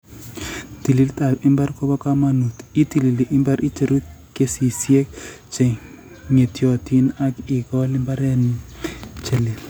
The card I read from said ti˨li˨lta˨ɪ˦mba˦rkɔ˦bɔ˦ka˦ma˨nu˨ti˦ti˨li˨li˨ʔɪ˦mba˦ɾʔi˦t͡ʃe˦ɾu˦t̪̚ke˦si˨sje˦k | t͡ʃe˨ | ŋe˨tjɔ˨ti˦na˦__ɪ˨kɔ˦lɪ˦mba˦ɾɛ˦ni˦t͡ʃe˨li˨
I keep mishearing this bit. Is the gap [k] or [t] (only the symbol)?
k